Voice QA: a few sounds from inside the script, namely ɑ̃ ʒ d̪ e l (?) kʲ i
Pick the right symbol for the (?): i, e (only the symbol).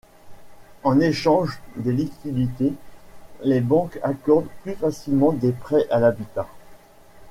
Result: i